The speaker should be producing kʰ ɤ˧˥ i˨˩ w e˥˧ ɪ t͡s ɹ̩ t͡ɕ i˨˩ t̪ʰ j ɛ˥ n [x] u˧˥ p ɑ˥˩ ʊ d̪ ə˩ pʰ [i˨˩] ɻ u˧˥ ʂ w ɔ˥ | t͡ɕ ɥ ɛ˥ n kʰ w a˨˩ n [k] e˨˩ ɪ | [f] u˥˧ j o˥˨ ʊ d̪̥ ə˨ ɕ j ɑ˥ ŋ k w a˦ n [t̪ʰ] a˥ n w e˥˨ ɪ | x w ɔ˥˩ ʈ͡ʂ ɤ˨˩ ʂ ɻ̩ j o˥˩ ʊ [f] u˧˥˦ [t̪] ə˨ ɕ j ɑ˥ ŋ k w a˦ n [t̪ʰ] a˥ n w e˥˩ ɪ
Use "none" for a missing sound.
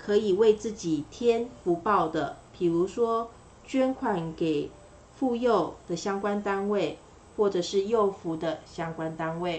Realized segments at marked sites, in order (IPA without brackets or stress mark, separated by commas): f, i˨˩, k, f, t̪, f, d̪, t̪